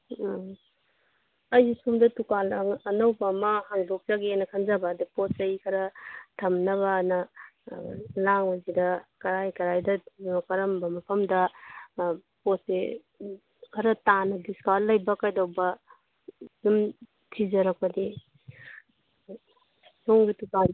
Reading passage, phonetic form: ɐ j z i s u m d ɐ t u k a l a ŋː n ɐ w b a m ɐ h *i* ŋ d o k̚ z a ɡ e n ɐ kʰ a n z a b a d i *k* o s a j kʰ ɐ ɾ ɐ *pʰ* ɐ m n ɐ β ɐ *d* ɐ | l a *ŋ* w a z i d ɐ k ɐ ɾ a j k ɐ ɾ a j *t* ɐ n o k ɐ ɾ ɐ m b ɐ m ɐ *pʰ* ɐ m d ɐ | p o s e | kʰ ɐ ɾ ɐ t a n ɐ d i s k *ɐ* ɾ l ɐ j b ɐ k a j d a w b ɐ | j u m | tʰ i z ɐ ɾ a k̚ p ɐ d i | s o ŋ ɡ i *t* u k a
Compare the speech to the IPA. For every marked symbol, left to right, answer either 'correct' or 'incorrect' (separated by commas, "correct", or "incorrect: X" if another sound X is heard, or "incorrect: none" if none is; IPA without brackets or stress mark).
incorrect: a, incorrect: p, incorrect: tʰ, incorrect: n, correct, incorrect: d, correct, incorrect: a, correct